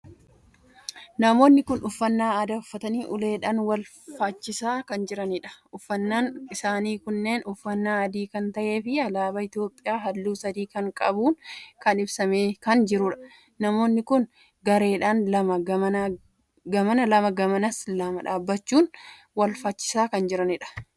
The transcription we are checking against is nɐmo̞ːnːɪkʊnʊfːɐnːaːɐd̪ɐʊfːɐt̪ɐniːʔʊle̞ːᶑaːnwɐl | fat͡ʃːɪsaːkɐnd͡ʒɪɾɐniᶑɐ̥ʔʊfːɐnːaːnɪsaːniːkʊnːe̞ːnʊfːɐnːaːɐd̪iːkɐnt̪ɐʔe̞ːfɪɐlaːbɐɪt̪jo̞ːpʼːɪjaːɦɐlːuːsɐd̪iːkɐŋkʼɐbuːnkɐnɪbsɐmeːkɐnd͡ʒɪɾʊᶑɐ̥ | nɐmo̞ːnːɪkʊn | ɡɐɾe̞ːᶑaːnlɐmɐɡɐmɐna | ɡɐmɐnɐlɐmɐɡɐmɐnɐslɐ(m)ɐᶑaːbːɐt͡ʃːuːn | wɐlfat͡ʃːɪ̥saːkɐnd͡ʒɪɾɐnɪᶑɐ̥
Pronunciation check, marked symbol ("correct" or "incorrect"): correct